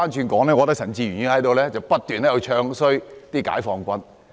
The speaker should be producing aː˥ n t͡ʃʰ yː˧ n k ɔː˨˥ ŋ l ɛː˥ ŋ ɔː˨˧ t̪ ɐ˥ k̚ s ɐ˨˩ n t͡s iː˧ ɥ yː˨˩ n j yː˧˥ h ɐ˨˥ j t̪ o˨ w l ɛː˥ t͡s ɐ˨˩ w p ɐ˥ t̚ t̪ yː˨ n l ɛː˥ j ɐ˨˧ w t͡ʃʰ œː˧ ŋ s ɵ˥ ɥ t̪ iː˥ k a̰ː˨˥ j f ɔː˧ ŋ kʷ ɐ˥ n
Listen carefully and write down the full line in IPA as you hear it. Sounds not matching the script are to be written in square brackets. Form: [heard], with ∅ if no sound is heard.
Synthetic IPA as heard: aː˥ n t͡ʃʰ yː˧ n k ɔː˨˥ ŋ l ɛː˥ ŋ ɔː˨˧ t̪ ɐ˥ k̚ s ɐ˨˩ n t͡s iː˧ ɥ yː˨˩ n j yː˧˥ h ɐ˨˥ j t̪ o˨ w l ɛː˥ t͡s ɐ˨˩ w p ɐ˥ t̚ t̪ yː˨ n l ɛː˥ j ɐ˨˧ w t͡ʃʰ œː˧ ŋ s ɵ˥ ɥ t̪ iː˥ k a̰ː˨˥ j f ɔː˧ ŋ kʷ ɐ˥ n